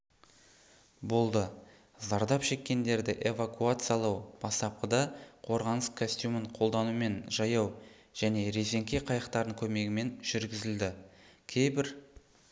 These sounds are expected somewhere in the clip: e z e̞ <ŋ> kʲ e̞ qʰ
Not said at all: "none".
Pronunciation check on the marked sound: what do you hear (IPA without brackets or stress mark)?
ŋ